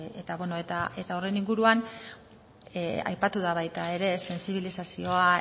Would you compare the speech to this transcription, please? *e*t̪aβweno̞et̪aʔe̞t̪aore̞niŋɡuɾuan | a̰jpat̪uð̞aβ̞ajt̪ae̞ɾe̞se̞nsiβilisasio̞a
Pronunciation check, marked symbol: correct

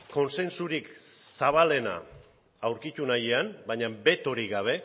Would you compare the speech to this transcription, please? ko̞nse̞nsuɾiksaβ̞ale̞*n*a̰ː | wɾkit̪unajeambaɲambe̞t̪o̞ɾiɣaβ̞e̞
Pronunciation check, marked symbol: correct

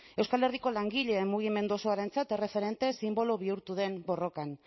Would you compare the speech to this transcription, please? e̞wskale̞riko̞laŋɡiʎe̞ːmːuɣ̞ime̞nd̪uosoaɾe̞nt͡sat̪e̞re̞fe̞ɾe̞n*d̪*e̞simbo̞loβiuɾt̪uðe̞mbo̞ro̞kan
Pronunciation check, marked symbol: incorrect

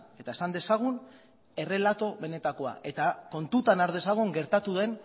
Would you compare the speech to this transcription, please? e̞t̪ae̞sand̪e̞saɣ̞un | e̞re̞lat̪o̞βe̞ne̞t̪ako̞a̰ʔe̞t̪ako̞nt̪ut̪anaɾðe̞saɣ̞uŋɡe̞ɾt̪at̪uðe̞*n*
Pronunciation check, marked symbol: correct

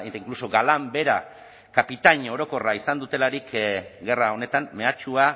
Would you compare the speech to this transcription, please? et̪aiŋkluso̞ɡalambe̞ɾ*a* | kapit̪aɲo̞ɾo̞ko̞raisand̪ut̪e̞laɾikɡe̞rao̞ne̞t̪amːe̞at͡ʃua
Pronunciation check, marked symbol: correct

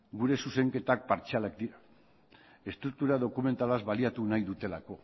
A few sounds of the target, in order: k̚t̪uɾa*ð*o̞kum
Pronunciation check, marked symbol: correct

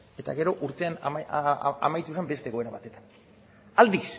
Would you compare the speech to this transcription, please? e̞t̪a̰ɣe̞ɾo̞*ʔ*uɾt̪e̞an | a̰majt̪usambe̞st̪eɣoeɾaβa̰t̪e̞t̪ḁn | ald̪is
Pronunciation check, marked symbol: correct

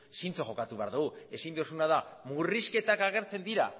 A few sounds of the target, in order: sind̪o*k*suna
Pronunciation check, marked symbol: incorrect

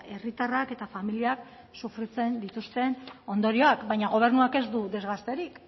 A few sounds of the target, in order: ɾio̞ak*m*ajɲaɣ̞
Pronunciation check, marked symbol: incorrect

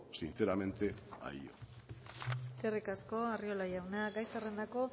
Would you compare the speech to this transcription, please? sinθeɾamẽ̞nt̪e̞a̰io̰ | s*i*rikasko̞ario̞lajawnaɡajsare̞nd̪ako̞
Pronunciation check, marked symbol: incorrect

